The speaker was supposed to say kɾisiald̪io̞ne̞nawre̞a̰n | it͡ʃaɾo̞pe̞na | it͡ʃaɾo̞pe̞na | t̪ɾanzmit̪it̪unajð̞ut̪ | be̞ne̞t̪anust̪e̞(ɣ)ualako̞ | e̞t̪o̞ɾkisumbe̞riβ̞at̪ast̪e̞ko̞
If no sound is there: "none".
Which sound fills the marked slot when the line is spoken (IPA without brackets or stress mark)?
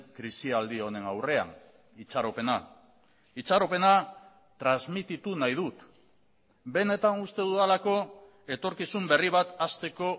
ð